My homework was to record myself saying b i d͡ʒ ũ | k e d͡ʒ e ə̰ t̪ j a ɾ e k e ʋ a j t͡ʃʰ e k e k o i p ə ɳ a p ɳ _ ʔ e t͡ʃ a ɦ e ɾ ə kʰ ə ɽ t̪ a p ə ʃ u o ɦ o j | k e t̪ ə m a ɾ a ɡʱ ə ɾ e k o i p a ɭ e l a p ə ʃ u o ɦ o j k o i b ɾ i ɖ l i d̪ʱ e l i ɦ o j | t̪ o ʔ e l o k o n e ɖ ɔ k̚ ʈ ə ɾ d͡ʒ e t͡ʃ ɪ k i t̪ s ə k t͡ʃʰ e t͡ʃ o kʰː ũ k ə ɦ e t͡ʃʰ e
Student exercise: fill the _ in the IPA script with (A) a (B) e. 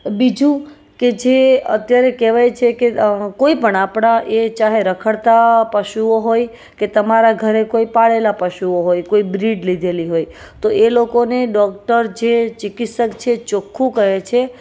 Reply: A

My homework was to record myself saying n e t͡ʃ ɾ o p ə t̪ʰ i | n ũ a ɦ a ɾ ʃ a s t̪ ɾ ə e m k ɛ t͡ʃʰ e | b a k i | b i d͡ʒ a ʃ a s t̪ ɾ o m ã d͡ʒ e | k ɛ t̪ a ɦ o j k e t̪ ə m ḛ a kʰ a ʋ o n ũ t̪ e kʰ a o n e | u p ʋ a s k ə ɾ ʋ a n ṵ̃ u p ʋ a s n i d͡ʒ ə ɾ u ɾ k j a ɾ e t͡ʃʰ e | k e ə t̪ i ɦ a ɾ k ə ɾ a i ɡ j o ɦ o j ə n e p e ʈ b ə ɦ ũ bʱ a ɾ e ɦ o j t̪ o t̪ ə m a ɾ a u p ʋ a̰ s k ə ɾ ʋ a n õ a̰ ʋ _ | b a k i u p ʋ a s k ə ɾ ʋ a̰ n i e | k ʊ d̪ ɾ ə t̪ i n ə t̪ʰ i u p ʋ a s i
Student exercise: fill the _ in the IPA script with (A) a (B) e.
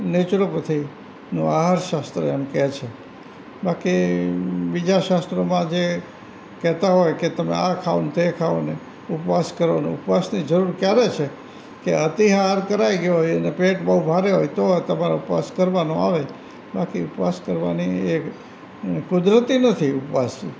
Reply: B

